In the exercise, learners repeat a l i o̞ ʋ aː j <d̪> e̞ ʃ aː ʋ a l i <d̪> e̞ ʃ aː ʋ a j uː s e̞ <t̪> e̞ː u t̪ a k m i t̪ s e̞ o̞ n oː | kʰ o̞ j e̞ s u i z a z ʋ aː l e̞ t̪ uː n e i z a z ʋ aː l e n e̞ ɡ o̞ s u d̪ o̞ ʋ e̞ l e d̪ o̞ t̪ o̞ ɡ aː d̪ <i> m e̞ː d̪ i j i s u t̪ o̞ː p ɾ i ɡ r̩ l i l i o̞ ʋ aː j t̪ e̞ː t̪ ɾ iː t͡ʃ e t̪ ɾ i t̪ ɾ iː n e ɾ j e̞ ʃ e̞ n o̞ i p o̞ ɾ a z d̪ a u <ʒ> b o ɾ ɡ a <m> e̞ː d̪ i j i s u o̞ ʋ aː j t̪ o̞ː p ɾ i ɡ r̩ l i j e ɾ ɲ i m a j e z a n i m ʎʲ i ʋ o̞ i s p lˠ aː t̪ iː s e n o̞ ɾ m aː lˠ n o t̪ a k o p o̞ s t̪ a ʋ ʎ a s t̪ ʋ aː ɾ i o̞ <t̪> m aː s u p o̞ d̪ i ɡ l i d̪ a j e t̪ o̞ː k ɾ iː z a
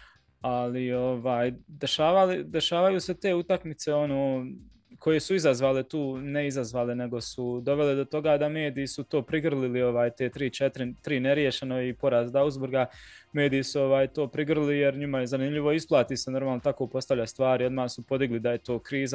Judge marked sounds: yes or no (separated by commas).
yes, yes, yes, no, no, yes, no